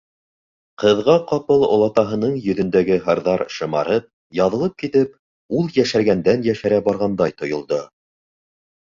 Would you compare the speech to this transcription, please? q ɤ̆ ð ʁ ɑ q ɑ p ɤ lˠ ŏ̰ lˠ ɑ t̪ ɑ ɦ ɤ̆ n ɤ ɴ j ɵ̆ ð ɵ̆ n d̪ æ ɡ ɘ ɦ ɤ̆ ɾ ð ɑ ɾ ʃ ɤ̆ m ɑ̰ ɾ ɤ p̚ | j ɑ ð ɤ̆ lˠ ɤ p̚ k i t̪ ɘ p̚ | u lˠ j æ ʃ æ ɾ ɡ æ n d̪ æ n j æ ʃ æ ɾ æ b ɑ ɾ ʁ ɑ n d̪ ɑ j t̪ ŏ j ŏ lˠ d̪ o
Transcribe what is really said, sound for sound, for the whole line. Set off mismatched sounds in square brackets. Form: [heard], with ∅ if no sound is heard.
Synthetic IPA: q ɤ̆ ð ʁ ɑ q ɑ p ɤ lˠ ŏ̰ lˠ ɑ t̪ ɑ ɦ ɤ̆ n ɤ ɴ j ɵ̆ ð ɵ̆ n d̪ æ ɡ ɘ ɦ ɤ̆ ɾ ð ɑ ɾ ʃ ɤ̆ m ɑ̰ ɾ ɤ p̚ | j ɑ ð ɤ̆ lˠ ɤ p̚ k i t̪ ɘ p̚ | u lˠ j æ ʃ æ ɾ ɡ æ n d̪ æ n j æ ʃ æ ɾ æ b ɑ ɾ ʁ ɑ n d̪ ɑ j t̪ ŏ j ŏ lˠ d̪ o